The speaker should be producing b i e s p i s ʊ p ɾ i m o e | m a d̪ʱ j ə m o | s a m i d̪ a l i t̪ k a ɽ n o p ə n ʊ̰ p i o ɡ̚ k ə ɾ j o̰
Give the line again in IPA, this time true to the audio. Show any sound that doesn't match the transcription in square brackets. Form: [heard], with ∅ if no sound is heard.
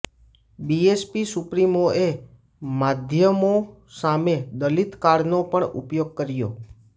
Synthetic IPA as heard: b i e s p i s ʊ p ɾ i m o e | m a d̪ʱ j ə m o | s a m [e] d̪ [ə] l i t̪ k a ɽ n o p ə [ɳ] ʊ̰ p [j] o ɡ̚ k ə ɾ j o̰